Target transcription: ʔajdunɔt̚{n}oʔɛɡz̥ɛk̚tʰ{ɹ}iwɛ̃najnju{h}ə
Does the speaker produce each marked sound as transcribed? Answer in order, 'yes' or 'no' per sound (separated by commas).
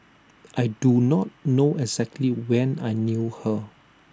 yes, no, yes